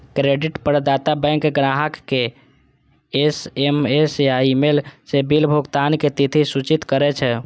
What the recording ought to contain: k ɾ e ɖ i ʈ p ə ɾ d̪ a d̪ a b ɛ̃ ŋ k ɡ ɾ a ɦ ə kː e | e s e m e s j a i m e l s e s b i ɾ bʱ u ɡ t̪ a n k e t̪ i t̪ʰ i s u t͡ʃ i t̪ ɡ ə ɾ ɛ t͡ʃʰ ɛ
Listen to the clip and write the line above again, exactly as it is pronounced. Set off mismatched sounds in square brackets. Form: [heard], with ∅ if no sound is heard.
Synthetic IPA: k ɾ e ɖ i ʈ p ə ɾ d̪ a [t̪] a b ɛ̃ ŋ k ɡ ɾ a ɦ ə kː e | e s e m e s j a i m e l s e [∅] b i [l] bʱ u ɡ t̪ a n k e t̪ i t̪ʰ i s u t͡ʃ i t̪ [k] ə ɾ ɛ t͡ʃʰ ɛ